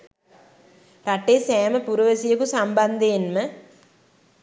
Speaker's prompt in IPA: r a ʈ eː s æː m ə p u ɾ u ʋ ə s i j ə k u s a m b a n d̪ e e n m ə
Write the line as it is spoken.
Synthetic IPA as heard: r a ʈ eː s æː m ə p u ɾ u ʋ ə s i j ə k u s a m b a n d̪ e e n m ə